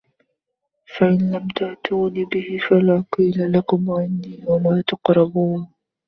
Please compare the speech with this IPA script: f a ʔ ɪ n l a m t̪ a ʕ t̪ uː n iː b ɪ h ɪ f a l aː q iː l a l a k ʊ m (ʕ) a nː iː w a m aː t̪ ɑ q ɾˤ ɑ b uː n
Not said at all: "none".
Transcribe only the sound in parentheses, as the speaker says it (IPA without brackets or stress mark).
ʕ